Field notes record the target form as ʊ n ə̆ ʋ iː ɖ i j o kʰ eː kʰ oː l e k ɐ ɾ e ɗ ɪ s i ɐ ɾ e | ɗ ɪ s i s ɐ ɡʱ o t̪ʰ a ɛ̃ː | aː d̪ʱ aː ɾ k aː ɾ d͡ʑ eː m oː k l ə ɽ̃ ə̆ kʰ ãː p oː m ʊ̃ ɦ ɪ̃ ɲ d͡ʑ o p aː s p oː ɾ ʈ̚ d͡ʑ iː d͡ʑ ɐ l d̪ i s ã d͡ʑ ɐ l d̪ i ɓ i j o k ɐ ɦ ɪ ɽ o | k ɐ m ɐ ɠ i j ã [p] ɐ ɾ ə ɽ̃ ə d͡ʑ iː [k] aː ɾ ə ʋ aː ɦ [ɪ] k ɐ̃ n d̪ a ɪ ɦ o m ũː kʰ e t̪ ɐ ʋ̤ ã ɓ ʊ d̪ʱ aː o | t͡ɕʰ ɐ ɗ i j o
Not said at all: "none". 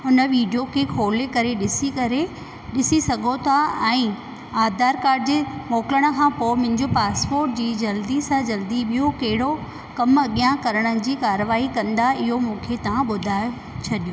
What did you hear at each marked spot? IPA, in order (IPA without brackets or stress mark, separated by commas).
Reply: k, k, i